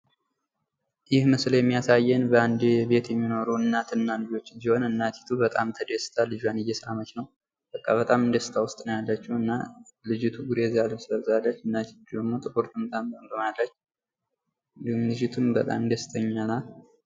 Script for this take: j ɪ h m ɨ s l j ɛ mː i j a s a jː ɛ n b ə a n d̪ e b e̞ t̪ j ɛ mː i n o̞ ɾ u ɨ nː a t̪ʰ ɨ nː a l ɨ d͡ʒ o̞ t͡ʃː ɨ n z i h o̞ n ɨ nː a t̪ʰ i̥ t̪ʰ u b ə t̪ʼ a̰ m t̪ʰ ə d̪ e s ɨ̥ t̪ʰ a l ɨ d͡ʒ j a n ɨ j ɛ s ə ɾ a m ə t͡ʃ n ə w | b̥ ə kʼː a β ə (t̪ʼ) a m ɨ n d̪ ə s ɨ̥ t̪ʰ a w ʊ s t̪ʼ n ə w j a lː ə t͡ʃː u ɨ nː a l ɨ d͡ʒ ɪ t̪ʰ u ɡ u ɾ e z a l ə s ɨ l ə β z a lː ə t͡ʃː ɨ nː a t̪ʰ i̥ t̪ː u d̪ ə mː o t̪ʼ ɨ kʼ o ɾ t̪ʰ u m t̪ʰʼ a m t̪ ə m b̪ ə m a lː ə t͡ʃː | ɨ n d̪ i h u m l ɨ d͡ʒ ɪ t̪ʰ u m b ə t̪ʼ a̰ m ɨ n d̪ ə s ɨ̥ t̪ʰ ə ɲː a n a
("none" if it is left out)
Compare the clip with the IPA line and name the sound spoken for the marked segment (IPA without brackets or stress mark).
t̪ʼ